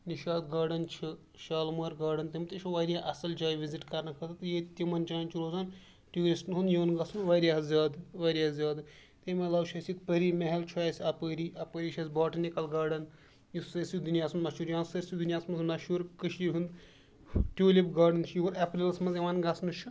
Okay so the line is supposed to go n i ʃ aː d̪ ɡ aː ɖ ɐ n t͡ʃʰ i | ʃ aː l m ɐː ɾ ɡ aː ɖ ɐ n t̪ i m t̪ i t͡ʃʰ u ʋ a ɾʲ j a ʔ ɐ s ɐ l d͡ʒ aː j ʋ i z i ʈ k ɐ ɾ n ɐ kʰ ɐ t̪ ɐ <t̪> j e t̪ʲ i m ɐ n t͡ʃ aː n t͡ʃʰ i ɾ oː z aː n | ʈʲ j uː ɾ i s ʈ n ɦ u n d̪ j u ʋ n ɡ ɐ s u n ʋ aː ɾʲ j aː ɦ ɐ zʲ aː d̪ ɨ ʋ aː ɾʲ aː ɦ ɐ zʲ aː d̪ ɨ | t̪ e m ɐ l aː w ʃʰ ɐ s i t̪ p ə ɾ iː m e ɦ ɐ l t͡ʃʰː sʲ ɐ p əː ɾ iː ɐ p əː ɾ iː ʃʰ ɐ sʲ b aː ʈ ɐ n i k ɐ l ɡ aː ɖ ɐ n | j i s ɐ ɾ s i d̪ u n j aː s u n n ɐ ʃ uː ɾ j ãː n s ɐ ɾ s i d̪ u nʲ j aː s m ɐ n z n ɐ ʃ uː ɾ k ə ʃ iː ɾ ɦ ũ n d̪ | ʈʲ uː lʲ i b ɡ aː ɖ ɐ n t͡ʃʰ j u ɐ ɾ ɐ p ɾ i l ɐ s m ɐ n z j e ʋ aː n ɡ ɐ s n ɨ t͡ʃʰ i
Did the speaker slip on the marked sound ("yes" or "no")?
no